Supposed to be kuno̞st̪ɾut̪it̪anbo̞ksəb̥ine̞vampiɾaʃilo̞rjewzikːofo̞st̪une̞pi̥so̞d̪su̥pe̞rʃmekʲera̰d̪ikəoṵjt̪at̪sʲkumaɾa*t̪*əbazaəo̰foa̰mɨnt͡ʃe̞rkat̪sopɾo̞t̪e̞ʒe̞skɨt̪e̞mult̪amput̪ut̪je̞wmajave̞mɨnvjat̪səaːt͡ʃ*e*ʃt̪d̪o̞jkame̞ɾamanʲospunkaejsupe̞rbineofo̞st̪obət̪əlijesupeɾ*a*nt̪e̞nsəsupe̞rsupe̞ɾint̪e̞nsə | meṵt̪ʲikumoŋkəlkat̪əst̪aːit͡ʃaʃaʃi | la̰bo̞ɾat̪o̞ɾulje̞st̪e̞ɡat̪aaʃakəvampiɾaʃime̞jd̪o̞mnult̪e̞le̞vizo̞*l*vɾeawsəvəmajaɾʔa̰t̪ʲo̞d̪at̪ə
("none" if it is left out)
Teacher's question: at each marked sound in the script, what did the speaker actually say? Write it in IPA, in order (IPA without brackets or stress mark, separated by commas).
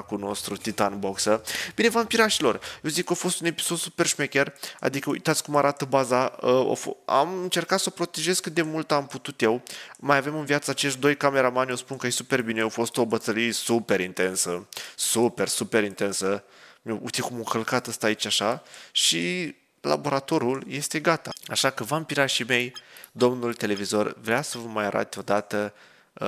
t̪, e, i, r